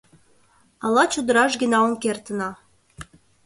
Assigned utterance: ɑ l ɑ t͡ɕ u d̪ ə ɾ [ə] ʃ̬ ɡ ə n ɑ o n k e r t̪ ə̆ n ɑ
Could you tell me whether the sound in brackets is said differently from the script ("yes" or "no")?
yes